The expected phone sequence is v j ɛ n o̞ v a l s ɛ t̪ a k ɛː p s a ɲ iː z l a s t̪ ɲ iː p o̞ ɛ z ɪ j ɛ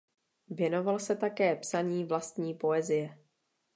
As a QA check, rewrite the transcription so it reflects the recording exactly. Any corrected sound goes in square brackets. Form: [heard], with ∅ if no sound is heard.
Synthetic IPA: v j ɛ n o̞ v a l s ɛ t̪ a k ɛː p s a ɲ iː [v] l a s t̪ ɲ iː p o̞ ɛ z ɪ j ɛ

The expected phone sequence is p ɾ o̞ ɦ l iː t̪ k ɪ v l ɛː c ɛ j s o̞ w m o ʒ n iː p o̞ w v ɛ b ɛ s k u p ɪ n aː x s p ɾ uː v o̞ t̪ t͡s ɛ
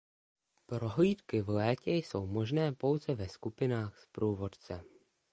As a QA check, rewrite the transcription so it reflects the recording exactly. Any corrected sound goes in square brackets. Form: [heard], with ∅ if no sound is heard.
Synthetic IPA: p ɾ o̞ ɦ l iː t̪ k ɪ v l ɛː c ɛ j s o̞ w m o ʒ n [ɛː] p o̞ w [z] ɛ [v] ɛ s k u p ɪ n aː x s p ɾ uː v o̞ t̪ t͡s ɛ

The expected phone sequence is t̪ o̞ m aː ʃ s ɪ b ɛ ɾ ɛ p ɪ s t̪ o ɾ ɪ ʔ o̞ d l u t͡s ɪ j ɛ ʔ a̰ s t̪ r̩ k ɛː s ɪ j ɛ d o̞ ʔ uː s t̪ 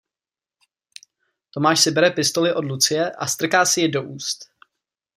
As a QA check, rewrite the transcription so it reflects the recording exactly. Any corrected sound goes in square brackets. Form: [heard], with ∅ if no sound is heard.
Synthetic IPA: t̪ o̞ m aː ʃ s ɪ b ɛ ɾ ɛ p ɪ s t̪ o [l] ɪ ʔ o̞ d l u t͡s ɪ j ɛ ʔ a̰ s t̪ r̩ k [aː] s ɪ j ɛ d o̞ ʔ uː s t̪

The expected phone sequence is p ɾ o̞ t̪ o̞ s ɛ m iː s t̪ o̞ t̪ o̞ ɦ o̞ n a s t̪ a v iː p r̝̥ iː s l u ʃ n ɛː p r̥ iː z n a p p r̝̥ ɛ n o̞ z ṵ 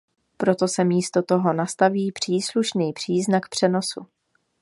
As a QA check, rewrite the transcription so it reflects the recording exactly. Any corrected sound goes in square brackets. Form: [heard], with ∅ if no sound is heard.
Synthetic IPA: p ɾ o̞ t̪ o̞ s ɛ m iː s t̪ o̞ t̪ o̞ ɦ o̞ n a s t̪ a v iː p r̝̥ iː s l u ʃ n [iː] p r̥ iː z n a [k] p r̝̥ ɛ n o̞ [s] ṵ

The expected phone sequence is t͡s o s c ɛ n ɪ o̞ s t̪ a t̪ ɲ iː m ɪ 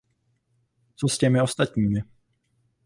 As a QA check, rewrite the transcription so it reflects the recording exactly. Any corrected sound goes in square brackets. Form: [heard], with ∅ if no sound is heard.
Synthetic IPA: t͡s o s c ɛ [m] ɪ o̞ s t̪ a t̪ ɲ iː m ɪ

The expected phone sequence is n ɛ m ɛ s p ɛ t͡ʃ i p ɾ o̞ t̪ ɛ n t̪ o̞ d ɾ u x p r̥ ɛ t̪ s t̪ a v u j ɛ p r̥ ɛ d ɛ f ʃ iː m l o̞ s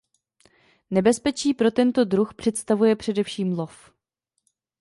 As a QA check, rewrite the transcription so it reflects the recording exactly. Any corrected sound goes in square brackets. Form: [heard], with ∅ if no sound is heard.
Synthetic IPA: n ɛ [b] ɛ s p ɛ t͡ʃ [iː] p ɾ o̞ t̪ ɛ n t̪ o̞ d ɾ u x p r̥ ɛ t̪ s t̪ a v u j ɛ p r̥ ɛ d ɛ f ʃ iː m l o̞ [f]

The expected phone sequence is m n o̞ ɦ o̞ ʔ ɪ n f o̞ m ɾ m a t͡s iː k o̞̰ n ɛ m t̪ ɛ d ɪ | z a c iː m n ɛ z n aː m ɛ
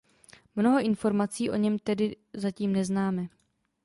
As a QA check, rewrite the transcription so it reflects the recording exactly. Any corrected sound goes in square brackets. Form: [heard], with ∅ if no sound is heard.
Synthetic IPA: m n o̞ ɦ o̞ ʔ ɪ n f o̞ [∅] ɾ m a t͡s iː [ʔ] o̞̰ [ɲ] ɛ m t̪ ɛ d ɪ | z a c iː m n ɛ z n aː m ɛ

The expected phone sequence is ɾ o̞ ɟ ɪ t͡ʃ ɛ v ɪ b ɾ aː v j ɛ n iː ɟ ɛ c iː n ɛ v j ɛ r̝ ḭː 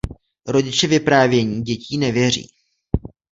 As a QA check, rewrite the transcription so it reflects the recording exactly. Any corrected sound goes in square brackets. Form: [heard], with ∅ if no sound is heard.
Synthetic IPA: ɾ o̞ ɟ ɪ t͡ʃ ɛ v ɪ [p] ɾ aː v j ɛ [ɲ] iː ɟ ɛ c iː n ɛ v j ɛ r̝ ḭː

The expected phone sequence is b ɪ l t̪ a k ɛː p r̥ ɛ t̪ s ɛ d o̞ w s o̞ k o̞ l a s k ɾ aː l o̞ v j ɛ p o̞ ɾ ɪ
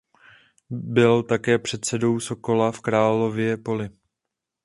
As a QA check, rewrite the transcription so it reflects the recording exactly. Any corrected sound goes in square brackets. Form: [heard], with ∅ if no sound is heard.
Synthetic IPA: b ɪ l t̪ a k ɛː p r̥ ɛ t̪ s ɛ d o̞ w s o̞ k o̞ l a [f] k ɾ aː l o̞ v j ɛ p o̞ [l] ɪ

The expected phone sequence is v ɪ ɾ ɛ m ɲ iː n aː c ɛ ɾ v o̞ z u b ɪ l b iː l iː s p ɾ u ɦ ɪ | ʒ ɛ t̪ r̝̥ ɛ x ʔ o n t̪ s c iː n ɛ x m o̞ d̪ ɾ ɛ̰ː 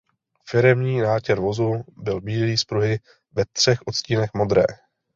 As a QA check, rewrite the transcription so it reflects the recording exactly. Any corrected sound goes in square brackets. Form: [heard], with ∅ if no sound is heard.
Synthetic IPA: [f] ɪ ɾ ɛ m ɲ iː n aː c ɛ ɾ v o̞ z u b ɪ l b iː l iː s p ɾ u ɦ ɪ | [v] ɛ t̪ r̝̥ ɛ x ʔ o [∅] t̪ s c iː n ɛ x m o̞ d̪ ɾ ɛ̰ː

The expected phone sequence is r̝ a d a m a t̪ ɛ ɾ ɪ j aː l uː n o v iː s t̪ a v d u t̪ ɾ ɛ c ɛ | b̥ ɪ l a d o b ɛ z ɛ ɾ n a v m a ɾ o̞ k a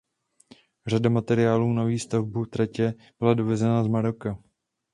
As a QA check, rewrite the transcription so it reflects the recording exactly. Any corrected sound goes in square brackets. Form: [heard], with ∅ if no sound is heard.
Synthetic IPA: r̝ a d a m a t̪ ɛ ɾ ɪ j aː l uː n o v iː s t̪ a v [b] u t̪ ɾ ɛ c ɛ | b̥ ɪ l a d o [v] ɛ z ɛ [∅] n a [z] m a ɾ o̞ k a

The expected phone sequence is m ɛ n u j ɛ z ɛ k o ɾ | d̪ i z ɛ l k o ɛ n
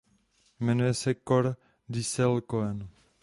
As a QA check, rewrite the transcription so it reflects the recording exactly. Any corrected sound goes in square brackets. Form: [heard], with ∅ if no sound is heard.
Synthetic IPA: m ɛ n u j ɛ [s] ɛ k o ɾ | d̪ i [s] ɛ l k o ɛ n

